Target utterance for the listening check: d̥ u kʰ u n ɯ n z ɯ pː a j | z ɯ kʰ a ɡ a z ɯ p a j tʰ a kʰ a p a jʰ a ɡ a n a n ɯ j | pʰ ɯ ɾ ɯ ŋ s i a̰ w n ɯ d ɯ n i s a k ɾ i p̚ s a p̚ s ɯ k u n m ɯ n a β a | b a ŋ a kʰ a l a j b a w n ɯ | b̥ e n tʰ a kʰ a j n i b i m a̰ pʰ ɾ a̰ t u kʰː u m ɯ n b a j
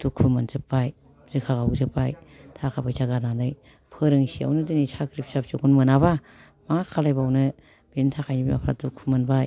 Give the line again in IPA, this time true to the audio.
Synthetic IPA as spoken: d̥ u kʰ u m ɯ n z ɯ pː a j | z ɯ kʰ a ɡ a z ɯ p a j tʰ a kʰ a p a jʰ a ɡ a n a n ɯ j | pʰ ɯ ɾ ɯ ŋ s i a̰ w n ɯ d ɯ n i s a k ɾ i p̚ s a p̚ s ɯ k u n m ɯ n a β a | m a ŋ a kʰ a l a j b a w n ɯ | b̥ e n tʰ a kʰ a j n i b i m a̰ pʰ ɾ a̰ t u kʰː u m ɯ n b a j